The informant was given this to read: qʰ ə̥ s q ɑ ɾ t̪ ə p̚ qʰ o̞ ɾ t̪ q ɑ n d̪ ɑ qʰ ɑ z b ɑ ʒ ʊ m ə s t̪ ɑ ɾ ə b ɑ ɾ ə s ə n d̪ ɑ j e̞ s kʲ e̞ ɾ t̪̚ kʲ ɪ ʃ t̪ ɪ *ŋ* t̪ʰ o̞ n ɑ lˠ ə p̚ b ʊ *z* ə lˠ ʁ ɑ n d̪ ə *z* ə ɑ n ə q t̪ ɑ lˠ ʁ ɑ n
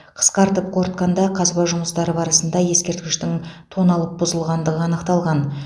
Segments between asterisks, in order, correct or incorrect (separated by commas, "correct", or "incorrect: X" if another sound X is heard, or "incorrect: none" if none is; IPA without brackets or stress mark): correct, correct, incorrect: ʁ